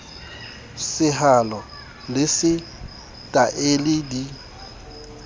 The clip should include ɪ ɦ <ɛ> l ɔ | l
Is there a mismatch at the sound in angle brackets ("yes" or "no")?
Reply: yes